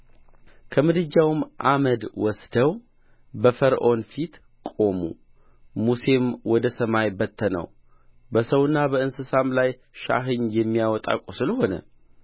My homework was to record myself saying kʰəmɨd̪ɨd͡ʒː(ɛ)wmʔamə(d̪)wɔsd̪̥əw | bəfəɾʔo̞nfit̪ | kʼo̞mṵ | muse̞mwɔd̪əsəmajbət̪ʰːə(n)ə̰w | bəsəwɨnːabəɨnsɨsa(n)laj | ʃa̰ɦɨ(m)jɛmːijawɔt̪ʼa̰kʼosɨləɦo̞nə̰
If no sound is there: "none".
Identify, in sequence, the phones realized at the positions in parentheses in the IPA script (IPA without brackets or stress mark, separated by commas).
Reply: a, d̪, n, m, ɲ